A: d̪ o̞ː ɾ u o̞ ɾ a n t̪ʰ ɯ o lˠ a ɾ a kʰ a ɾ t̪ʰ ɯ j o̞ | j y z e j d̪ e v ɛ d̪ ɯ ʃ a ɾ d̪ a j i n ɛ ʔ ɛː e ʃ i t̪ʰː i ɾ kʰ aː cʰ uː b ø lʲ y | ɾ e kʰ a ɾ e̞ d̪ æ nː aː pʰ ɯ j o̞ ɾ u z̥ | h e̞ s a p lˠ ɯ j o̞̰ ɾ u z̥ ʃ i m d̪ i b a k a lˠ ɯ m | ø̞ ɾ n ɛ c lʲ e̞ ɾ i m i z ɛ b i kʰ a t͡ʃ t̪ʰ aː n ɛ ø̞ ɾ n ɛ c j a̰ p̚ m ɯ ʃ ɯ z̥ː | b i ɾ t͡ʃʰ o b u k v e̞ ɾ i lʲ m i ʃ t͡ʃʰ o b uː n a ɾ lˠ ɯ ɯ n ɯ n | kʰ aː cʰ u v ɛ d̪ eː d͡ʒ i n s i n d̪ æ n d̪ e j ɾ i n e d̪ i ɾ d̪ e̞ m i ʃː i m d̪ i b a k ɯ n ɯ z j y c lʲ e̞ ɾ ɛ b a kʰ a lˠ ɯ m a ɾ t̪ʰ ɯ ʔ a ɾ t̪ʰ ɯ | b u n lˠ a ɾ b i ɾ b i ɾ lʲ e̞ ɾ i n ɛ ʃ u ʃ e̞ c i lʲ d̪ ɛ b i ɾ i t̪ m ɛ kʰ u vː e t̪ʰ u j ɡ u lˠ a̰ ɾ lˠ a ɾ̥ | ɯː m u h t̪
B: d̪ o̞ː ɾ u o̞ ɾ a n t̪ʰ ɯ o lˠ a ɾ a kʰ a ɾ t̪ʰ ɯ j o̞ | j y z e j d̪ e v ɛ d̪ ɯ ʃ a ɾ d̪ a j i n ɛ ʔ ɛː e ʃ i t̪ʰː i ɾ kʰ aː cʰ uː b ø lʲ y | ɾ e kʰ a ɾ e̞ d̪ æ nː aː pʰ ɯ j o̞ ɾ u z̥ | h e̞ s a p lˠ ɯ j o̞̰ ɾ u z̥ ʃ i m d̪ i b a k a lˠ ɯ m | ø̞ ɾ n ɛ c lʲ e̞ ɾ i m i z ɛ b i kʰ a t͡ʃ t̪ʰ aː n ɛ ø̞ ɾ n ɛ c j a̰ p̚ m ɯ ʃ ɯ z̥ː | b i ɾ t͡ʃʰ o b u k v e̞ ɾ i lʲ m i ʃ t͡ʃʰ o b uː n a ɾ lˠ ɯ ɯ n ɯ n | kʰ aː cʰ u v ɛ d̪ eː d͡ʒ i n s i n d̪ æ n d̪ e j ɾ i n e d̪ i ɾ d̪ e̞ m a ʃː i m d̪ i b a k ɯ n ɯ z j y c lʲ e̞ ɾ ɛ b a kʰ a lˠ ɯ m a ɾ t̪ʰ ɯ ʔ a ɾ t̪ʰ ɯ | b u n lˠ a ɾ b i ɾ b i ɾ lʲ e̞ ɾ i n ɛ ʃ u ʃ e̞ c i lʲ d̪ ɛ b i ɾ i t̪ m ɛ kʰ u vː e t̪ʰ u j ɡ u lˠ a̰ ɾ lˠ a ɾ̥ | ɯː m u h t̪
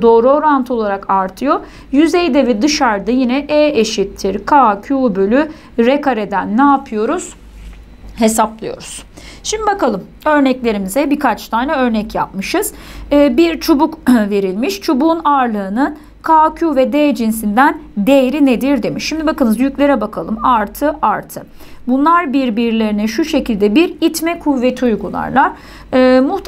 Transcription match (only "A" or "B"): A